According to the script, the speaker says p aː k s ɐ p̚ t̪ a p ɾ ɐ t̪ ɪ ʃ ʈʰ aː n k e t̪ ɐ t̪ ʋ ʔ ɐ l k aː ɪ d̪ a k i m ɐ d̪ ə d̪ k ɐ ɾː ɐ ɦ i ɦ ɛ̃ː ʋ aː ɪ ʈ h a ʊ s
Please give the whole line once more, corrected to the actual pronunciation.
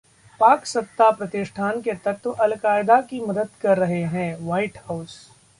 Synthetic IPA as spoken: p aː k s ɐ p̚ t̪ a p ɾ ɐ t̪ ɪ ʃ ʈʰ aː n k e t̪ ɐ t̪ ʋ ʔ ɐ l k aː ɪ d̪ a k i m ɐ d̪ ə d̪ k ɐ ɾː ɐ ɦ e ɦ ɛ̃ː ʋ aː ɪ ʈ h a ʊ s

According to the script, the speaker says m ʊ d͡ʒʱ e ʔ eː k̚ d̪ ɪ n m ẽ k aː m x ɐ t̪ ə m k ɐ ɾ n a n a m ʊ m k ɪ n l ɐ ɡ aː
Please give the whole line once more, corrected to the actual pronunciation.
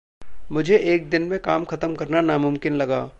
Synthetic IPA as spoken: m ʊ d͡ʒʱ e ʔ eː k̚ d̪ ɪ n m ẽ k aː m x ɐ t̪ ə m k ɐ ɾ n a n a m ʊ m k ɪ n l ɐ ɡ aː

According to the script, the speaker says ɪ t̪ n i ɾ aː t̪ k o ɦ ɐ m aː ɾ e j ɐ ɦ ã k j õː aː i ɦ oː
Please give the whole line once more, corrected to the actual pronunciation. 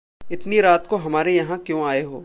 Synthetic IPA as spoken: ɪ t̪ n i ɾ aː t̪ k o ɦ ɐ m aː ɾ e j ɐ ɦ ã k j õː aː e ɦ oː

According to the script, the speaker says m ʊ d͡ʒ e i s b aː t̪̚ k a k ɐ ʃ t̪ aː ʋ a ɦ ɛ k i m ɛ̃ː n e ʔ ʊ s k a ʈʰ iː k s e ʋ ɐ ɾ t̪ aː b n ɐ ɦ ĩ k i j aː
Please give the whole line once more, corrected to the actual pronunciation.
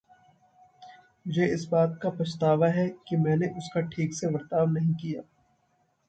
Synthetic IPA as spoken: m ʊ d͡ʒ e ɪ s b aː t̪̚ k a p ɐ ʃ t̪ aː ʋ a ɦ ɛ k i m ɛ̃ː n e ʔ ʊ s k a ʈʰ iː k s e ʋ ɐ ɾ t̪ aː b n ɐ ɦ ĩ k i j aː

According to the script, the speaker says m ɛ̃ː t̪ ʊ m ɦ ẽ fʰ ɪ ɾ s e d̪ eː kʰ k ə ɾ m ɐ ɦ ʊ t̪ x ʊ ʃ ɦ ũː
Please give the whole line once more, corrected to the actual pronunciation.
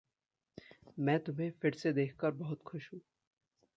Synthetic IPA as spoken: m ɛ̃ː t̪ ʊ m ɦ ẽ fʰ ɪ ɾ s e d̪ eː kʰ k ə ɾ b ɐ ɦ ʊ t̪ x ʊ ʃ ɦ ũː

